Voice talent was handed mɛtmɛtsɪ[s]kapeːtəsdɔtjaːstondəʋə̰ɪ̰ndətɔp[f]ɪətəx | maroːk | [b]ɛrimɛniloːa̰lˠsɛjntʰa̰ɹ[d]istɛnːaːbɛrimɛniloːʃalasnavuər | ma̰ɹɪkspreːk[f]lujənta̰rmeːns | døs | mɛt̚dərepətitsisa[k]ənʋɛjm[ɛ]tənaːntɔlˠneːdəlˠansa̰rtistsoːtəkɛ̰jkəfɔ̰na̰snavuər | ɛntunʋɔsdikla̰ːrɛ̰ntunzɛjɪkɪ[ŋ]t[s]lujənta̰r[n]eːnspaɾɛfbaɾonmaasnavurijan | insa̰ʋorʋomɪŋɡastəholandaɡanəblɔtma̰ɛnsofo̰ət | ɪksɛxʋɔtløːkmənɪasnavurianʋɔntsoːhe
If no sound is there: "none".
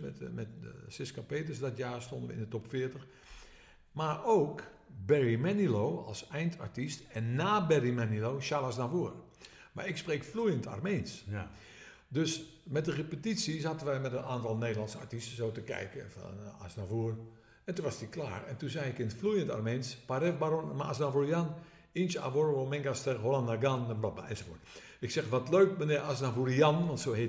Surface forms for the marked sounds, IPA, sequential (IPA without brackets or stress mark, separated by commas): s, f, b, t, f, t, ɛ, n, f, m